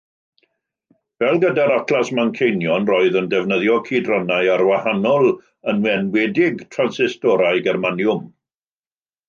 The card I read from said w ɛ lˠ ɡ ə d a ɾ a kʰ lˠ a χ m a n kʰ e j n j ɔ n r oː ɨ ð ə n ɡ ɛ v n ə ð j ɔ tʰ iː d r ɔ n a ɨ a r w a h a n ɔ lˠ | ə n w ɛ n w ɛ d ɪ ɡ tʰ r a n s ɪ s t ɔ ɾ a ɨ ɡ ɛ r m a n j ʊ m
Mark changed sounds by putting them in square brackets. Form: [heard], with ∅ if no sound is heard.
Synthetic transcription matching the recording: [v] ɛ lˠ ɡ ə d a ɾ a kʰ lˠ a [s] m a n kʰ e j n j ɔ n r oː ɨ ð ə n [d] ɛ v n ə ð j ɔ [kʰ] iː d r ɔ n a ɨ a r w a h a n ɔ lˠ | ə n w ɛ n w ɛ d ɪ ɡ tʰ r a n s ɪ s t ɔ ɾ a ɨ ɡ ɛ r m a n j ʊ m